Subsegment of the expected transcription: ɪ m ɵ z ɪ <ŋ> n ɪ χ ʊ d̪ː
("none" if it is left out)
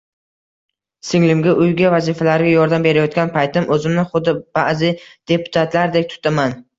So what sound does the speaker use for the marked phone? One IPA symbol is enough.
m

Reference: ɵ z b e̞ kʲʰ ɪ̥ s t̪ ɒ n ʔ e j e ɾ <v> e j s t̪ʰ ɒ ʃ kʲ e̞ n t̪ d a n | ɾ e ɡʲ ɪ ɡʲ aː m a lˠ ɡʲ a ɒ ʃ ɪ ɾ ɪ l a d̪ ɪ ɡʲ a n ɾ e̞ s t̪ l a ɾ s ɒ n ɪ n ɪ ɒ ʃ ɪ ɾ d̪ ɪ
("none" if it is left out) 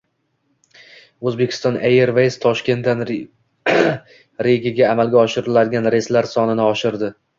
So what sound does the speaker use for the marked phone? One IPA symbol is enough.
v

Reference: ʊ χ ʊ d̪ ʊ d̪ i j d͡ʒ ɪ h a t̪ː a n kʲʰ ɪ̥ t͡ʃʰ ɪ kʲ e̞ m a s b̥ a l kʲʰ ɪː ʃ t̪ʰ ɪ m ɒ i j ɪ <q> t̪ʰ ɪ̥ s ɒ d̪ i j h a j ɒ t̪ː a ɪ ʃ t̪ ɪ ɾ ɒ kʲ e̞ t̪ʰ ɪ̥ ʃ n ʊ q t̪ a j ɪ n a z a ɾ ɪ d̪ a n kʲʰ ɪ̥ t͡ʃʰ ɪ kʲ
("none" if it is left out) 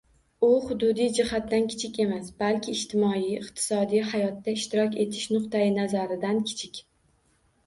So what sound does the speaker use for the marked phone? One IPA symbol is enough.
q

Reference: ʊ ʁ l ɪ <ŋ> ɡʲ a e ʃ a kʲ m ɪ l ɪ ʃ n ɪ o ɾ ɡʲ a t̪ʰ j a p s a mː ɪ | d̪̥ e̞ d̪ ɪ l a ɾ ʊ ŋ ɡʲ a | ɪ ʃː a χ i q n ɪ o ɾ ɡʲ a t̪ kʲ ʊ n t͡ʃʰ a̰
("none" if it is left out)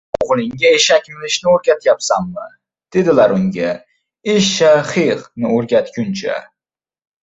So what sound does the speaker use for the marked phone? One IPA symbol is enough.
ŋ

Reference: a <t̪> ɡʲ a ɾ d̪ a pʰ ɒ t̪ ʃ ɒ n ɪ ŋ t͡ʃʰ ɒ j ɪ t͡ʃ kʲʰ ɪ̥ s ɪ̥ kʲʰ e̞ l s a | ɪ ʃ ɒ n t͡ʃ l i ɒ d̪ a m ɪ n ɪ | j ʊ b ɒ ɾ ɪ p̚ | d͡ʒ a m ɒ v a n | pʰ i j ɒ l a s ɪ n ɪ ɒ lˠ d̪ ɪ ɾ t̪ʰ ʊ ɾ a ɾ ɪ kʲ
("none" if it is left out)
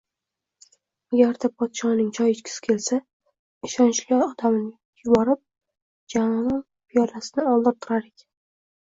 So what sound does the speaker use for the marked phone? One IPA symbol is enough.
none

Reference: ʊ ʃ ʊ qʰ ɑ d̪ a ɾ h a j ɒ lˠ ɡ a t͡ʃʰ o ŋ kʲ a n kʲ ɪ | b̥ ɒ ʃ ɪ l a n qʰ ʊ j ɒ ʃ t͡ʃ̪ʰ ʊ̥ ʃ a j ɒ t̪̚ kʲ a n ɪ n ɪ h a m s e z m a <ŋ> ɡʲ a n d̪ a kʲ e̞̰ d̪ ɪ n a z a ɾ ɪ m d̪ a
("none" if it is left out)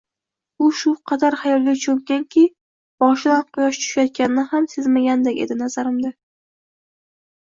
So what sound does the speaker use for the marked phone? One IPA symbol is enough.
none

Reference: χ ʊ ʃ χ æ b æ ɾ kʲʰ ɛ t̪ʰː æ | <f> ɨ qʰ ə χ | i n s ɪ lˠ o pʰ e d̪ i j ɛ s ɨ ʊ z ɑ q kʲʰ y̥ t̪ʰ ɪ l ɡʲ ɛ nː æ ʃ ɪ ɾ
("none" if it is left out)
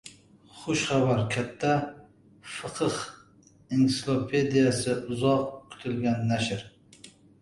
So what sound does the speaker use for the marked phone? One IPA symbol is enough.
f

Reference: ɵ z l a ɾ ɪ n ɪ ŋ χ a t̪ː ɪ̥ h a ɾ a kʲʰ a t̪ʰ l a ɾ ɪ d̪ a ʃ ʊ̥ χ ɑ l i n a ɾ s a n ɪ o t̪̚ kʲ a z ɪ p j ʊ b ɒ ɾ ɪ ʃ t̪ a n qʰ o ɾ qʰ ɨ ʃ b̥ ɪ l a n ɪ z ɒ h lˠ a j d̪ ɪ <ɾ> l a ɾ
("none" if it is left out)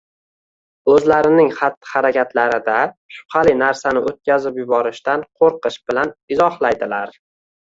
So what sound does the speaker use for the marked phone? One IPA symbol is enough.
none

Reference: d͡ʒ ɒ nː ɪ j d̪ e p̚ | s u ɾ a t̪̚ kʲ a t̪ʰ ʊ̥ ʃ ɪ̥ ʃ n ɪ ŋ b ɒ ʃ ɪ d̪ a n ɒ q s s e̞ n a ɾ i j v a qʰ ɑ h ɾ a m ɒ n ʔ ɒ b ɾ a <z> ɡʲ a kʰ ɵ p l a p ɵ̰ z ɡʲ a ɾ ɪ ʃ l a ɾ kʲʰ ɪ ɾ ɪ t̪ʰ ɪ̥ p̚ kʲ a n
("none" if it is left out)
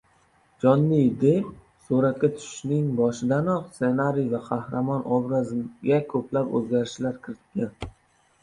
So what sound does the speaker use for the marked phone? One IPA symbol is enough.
z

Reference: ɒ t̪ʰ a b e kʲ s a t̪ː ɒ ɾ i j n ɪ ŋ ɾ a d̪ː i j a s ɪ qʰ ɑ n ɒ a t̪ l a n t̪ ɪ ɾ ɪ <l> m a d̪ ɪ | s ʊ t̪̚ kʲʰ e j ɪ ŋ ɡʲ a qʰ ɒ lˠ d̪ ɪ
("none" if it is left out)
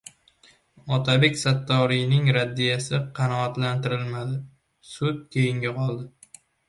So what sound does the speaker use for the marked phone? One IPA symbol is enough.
l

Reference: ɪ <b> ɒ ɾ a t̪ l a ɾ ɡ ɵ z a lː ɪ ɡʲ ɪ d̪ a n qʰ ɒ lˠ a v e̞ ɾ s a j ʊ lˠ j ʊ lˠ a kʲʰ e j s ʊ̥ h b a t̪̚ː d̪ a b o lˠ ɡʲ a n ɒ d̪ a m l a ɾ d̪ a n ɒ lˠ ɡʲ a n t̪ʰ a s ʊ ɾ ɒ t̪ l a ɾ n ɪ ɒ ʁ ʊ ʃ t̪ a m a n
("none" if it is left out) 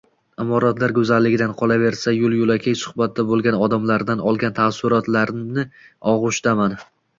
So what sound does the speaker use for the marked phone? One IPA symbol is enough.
m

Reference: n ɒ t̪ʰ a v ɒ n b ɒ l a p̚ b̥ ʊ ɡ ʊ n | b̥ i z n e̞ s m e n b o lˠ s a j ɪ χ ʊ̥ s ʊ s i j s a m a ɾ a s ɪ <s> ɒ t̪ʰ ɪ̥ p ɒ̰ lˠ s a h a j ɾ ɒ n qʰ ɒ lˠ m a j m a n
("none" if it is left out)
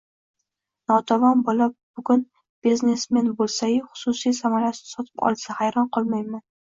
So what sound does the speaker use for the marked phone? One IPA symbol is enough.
s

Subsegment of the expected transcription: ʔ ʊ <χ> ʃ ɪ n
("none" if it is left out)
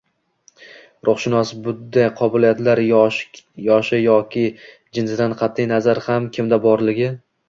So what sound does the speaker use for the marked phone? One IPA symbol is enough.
χ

